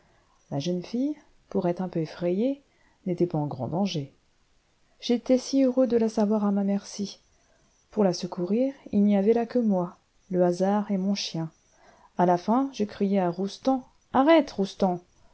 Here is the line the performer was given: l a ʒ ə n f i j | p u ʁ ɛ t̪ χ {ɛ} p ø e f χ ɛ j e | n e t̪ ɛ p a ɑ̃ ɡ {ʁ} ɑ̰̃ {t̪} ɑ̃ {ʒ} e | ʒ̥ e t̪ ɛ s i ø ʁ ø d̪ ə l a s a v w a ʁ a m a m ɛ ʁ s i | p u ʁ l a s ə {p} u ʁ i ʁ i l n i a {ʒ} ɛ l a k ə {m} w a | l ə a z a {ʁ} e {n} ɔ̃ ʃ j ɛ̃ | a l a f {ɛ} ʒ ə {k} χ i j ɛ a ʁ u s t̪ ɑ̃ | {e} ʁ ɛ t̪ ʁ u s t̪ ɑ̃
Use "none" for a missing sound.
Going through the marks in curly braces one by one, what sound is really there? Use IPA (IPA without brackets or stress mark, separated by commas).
ɛ̃, ʁ, d̪, ʒ, k, v, m, ʁ, m, ɛ̃, k, a